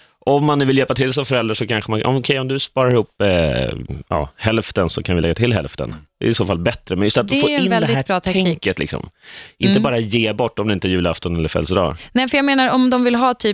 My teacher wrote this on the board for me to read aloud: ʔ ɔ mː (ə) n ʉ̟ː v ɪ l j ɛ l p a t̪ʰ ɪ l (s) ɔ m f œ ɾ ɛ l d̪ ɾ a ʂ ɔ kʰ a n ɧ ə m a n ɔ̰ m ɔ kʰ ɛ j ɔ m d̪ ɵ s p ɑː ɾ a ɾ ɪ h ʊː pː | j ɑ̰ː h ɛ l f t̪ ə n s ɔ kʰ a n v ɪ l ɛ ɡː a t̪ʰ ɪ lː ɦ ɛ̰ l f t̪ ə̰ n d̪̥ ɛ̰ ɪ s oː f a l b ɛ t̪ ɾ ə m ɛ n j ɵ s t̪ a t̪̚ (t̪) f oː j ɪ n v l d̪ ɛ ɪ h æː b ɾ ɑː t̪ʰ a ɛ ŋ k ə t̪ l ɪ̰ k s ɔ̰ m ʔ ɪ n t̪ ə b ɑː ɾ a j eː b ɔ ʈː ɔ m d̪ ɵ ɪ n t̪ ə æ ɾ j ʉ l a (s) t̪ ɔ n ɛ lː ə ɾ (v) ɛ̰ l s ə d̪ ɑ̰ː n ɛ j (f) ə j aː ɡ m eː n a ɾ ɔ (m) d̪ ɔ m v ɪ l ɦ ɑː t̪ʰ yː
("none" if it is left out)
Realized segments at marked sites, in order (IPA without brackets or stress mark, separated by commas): a, s, d̪, f, f, f, m